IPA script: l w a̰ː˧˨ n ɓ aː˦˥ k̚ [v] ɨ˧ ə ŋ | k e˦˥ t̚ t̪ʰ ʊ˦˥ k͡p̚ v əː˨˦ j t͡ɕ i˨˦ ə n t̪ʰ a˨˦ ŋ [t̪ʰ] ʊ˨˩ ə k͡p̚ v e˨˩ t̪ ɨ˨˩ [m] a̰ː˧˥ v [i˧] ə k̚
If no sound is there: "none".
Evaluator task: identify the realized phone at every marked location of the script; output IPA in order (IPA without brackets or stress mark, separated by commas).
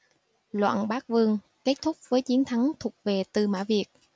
v, t̪ʰ, m, i˨˩